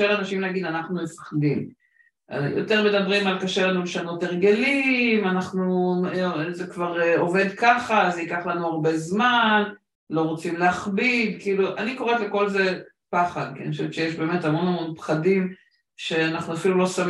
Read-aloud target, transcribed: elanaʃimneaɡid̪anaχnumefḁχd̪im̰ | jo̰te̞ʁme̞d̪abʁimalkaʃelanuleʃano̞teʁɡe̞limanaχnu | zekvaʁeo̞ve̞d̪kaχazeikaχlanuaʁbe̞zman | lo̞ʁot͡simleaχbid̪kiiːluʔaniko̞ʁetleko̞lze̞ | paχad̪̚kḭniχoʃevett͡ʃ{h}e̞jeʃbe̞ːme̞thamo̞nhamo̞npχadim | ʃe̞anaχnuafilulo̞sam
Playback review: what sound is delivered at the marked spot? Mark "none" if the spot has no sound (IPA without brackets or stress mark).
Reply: ʃ